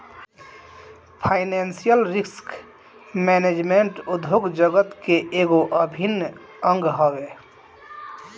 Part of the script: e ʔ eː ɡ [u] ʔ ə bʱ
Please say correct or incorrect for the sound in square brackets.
incorrect: o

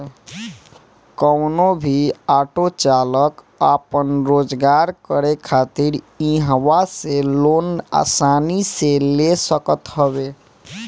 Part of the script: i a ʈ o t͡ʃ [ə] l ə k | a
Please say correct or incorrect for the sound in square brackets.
incorrect: a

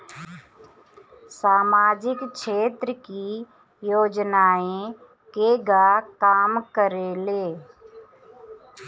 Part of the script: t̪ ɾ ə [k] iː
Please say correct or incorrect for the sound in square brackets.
correct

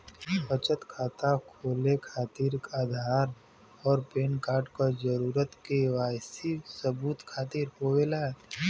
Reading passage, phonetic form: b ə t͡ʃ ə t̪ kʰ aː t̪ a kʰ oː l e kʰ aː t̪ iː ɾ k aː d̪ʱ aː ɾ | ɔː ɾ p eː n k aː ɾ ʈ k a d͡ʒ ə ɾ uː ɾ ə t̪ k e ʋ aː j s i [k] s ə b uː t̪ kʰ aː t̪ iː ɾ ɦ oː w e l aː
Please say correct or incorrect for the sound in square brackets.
incorrect: none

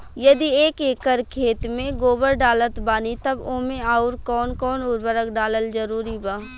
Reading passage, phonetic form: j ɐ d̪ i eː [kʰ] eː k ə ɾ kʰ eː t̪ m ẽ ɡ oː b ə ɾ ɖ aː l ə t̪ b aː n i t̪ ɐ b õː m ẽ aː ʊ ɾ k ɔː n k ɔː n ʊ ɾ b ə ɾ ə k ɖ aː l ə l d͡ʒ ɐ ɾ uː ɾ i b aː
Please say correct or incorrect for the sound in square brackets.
incorrect: k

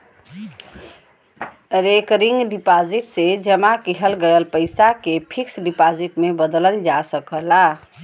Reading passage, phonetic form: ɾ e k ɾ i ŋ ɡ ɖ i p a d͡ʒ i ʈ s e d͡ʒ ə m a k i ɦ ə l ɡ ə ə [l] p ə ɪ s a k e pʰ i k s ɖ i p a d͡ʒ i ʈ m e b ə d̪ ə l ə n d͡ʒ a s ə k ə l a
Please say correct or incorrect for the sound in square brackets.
correct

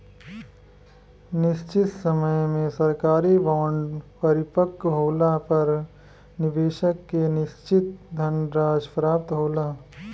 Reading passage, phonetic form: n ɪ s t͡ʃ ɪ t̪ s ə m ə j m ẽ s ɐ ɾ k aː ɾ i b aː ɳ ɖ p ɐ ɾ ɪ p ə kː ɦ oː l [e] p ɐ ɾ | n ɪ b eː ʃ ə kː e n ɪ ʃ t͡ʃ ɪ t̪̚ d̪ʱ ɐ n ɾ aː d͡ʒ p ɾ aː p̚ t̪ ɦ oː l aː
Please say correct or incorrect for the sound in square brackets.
incorrect: a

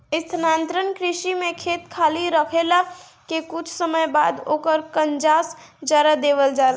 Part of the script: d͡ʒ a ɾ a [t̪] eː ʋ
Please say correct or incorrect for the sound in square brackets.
incorrect: d̪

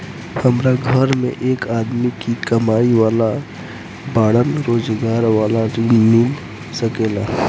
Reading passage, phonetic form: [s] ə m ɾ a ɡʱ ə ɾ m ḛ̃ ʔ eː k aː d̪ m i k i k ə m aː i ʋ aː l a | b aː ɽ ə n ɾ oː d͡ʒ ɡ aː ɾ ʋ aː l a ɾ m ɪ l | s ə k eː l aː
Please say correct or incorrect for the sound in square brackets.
incorrect: h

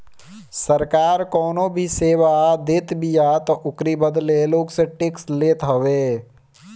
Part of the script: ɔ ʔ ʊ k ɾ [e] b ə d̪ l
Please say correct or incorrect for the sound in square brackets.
incorrect: i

